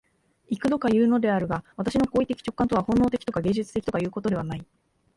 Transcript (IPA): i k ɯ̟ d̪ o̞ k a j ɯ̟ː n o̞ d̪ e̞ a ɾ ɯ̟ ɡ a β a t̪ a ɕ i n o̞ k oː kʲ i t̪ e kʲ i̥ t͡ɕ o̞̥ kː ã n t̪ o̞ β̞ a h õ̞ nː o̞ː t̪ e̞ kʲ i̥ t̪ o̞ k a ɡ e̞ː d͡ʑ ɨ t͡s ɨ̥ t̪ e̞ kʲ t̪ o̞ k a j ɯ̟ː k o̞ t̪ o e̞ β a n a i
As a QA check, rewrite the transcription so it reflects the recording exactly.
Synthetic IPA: i k ɯ̟ d̪ o̞ k a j ɯ̟ː n o̞ d̪ e̞ a ɾ ɯ̟ ɡ a β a t̪ a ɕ i n o̞ k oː i t̪ e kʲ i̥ t͡ɕ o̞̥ kː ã n t̪ o̞ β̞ a h õ̞ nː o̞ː t̪ e̞ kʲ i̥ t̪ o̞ k a ɡ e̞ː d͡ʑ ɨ t͡s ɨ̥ t̪ e̞ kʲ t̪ o̞ k a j ɯ̟ː k o̞ t̪ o e̞ β a n a i